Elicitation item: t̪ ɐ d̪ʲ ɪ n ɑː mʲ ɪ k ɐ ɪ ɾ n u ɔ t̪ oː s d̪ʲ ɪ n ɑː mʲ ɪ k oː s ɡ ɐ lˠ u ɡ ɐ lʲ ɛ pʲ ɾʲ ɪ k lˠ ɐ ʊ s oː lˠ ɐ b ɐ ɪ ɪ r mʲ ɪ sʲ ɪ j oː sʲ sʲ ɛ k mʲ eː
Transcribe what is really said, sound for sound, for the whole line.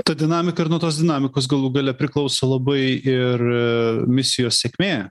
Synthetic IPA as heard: t̪ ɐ d̪ʲ ɪ n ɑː mʲ ɪ k ɐ ɪ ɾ n u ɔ t̪ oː s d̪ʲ ɪ n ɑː mʲ ɪ k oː s ɡ ɐ lˠ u ɡ ɐ lʲ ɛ pʲ ɾʲ ɪ k lˠ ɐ ʊ s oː lˠ ɐ b ɐ ɪ ɪ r mʲ ɪ sʲ ɪ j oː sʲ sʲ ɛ k mʲ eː